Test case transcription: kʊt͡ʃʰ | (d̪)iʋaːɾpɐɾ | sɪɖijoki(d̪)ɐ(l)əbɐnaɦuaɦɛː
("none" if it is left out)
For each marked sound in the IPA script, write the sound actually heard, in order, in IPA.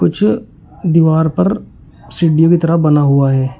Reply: d̪, t̪, ɾ

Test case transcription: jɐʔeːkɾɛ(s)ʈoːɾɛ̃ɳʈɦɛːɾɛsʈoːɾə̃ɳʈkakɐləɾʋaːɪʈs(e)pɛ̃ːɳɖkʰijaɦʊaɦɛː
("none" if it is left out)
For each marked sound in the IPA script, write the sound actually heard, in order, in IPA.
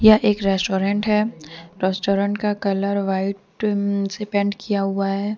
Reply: s, e

